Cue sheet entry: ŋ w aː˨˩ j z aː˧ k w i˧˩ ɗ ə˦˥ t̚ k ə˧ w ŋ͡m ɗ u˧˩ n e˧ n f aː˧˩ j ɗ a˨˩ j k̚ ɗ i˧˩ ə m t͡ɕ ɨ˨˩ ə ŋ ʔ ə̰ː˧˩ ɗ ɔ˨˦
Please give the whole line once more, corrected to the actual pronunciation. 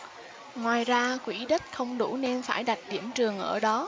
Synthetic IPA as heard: ŋ w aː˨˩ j z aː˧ k w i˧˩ ɗ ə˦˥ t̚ x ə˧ w ŋ͡m ɗ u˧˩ n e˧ n f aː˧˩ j ɗ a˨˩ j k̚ ɗ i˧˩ ə m t͡ɕ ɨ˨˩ ə ŋ ʔ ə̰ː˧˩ ɗ ɔ˨˦